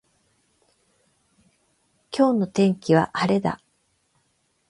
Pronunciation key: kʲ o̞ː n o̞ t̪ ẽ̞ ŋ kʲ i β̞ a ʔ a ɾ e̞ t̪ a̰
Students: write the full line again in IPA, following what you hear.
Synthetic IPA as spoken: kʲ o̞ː n o̞ t̪ ẽ̞ ŋ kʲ i β̞ a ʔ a ɾ e̞ d̪ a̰